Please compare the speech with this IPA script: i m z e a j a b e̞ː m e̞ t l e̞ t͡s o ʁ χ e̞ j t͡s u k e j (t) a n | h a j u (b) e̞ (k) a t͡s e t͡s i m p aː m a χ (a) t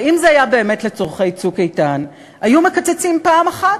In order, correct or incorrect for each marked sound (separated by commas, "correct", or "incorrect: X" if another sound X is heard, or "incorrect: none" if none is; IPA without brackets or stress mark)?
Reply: correct, incorrect: m, correct, correct